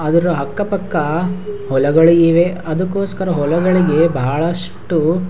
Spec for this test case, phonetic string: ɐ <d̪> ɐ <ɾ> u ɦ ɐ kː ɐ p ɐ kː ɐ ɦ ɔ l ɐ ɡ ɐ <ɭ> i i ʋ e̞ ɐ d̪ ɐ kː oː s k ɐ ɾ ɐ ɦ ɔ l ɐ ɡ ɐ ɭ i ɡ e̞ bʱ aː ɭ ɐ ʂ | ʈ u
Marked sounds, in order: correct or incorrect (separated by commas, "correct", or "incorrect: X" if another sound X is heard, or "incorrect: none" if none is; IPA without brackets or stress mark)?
correct, correct, correct